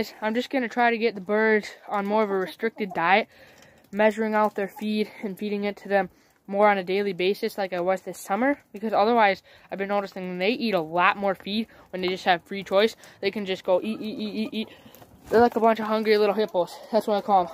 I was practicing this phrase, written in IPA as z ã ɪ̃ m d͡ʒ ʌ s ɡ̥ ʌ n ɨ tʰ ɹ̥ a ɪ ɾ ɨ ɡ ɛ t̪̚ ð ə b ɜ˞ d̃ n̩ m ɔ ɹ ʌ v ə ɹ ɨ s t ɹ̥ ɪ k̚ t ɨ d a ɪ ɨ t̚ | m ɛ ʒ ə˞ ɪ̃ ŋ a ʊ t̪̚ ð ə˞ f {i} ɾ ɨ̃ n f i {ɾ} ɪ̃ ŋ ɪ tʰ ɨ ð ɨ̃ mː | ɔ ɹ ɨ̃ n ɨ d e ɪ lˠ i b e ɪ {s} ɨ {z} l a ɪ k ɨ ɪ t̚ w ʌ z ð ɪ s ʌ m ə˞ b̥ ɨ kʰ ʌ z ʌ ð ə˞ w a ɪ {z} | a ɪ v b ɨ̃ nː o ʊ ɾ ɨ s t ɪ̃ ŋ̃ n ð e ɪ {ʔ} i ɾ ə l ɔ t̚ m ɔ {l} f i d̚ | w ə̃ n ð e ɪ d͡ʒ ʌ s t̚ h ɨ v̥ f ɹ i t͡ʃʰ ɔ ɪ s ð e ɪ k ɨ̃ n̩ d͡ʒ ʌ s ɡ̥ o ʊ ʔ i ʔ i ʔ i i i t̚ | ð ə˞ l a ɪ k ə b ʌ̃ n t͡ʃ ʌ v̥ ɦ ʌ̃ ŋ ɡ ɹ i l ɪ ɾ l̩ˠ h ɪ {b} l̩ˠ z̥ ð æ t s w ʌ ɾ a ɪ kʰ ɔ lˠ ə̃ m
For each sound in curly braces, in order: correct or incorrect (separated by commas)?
correct, correct, correct, incorrect, correct, correct, incorrect, incorrect